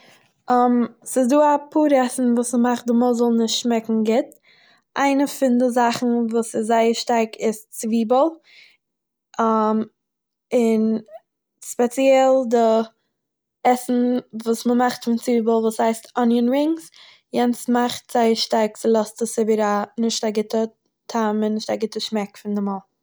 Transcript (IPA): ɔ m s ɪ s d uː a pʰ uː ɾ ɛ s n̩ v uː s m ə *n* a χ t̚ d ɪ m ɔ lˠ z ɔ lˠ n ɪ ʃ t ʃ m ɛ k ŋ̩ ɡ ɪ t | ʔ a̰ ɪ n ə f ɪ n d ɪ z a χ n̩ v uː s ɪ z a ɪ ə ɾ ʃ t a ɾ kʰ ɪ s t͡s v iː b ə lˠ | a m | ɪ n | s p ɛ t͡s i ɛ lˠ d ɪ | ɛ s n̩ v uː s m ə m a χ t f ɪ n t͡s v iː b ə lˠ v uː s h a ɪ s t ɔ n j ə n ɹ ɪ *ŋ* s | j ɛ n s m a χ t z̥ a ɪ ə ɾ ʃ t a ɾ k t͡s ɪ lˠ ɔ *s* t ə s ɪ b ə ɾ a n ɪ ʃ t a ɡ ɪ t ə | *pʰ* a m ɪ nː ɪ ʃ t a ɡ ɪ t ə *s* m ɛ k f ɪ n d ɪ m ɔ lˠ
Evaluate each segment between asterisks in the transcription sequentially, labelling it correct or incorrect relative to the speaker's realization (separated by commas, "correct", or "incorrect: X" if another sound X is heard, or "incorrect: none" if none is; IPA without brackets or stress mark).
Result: incorrect: m, correct, correct, incorrect: tʰ, incorrect: ʃ